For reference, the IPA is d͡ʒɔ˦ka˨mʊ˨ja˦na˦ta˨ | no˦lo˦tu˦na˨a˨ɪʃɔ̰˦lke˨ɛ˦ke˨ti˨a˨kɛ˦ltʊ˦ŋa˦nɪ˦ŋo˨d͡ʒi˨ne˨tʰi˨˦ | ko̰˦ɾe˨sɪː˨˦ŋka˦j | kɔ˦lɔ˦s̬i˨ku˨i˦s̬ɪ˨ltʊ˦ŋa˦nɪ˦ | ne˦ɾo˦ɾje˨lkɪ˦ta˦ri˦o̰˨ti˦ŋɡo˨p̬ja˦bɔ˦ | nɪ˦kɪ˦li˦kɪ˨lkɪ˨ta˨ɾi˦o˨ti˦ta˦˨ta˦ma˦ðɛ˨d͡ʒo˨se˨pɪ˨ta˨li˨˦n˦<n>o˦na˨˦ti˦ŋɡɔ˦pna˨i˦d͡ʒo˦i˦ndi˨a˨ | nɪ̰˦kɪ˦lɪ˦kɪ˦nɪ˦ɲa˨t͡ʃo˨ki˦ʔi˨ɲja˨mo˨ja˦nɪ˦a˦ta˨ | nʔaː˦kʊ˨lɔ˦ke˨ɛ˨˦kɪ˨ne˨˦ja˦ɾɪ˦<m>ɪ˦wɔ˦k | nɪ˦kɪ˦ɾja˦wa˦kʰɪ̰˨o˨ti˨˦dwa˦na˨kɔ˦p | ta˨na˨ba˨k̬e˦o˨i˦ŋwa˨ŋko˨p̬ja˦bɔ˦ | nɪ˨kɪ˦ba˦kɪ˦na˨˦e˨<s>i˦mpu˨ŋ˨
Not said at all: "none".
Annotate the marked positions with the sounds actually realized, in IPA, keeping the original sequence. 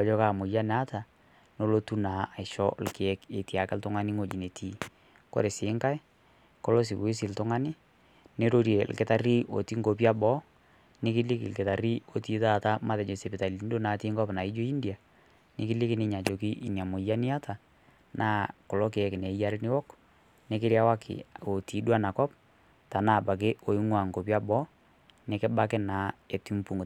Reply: d, n, t

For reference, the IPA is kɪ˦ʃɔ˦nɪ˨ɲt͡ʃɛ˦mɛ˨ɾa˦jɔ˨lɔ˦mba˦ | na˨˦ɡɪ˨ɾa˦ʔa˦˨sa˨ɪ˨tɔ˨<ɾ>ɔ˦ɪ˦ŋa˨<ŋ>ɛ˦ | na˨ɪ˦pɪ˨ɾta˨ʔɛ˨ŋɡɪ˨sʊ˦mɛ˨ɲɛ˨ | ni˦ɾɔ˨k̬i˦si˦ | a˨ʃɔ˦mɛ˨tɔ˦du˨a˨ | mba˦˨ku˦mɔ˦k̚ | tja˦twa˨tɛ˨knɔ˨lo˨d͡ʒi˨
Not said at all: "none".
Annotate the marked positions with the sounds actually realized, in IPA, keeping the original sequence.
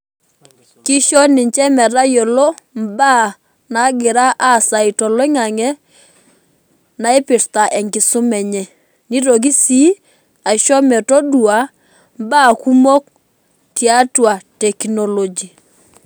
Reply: l, ŋ

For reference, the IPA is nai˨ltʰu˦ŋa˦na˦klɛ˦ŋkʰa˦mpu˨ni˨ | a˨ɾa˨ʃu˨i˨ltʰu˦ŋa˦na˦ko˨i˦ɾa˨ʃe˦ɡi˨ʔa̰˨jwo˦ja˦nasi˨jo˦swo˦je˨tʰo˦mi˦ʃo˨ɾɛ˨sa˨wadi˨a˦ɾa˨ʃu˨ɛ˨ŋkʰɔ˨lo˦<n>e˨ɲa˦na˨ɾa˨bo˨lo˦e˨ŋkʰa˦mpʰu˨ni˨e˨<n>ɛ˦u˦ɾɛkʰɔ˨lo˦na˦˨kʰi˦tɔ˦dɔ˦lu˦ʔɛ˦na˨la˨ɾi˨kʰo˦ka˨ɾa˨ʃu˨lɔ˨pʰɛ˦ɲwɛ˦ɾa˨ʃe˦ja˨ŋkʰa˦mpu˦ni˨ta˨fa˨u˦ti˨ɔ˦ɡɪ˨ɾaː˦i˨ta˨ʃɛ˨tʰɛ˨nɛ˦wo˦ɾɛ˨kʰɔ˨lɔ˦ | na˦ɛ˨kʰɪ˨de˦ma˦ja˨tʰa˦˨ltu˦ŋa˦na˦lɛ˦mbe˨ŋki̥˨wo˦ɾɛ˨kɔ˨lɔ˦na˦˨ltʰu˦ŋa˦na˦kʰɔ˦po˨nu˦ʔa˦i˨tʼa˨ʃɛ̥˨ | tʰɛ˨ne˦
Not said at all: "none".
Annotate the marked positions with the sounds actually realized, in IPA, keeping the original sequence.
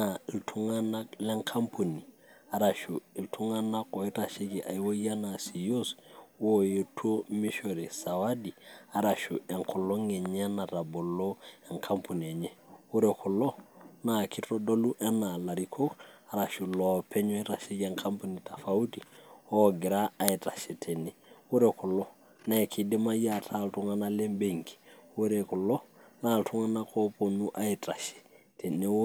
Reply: ŋ, ɲ

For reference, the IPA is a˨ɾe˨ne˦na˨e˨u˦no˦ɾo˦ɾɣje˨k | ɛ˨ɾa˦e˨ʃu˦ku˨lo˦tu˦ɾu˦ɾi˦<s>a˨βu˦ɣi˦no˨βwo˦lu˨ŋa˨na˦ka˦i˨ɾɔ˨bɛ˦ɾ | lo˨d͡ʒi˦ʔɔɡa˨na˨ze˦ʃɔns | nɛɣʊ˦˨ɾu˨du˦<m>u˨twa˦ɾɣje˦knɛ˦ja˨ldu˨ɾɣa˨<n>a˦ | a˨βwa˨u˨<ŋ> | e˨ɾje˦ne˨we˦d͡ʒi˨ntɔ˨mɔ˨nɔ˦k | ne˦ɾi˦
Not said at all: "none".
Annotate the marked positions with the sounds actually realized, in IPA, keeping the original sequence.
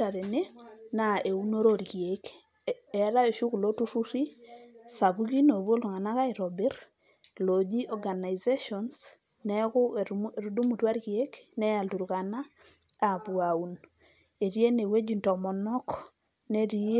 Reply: s, m, n, n

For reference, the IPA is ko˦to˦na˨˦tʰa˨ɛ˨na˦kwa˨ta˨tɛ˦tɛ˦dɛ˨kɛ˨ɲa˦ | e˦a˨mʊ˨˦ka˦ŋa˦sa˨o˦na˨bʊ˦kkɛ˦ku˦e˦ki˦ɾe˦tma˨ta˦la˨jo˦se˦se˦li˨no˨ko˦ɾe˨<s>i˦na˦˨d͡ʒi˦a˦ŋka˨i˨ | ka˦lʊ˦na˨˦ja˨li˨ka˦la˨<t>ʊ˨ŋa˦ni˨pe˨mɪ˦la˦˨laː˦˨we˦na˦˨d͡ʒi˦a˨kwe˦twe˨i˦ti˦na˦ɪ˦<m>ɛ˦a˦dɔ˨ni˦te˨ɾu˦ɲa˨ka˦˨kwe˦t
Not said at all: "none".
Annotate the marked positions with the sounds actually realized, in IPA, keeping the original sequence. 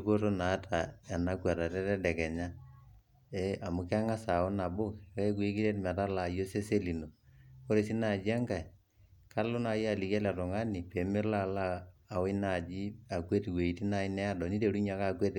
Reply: s, t, n

